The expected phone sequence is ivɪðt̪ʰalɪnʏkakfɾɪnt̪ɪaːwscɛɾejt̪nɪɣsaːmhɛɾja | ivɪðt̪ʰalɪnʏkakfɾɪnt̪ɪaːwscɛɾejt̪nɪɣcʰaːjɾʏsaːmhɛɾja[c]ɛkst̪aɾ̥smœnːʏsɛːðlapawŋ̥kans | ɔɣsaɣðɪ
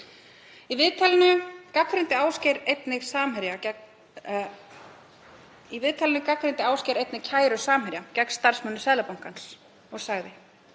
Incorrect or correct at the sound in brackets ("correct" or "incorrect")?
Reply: correct